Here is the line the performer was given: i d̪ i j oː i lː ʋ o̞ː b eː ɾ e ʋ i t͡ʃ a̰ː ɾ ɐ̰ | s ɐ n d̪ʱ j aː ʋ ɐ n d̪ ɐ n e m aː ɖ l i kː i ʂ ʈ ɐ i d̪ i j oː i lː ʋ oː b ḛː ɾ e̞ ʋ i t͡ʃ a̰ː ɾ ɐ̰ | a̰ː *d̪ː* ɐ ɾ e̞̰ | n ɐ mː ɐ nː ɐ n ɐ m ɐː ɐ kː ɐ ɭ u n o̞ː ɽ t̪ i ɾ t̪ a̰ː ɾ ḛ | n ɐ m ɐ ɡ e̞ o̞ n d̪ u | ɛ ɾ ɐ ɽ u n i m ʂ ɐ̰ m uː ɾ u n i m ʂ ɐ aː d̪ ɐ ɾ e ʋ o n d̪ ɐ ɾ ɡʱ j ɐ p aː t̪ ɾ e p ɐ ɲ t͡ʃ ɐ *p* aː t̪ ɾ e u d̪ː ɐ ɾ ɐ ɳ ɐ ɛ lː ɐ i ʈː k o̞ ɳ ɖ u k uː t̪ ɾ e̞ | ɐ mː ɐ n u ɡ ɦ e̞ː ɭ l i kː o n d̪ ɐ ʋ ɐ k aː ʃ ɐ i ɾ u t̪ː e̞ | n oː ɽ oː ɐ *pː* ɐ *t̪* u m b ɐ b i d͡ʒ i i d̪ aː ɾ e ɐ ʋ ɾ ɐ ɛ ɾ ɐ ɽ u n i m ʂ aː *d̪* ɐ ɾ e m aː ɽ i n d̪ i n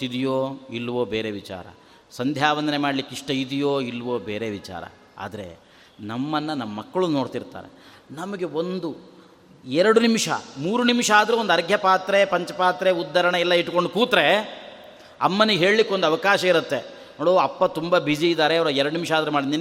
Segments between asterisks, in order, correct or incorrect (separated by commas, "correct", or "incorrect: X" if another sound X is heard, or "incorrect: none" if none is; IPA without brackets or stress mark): incorrect: d̪, correct, correct, correct, correct